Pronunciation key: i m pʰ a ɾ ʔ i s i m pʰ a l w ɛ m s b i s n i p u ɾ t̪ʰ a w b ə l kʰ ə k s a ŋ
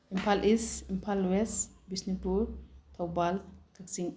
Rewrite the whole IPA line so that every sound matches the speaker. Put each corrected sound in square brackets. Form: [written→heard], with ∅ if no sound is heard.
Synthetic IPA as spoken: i m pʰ a [ɾ→l] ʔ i s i m pʰ a l w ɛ [m→∅] s b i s n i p u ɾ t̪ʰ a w b [ə→a] l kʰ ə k s [a→i] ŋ